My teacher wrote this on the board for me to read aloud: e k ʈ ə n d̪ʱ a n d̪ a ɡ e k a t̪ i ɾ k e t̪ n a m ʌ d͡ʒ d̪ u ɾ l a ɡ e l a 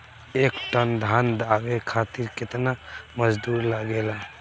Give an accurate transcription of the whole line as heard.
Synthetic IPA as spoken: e k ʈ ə n d̪ʱ a n d̪ a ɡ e kʰ a t̪ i ɾ k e t̪ n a m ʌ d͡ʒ d̪ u ɾ l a ɡ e l a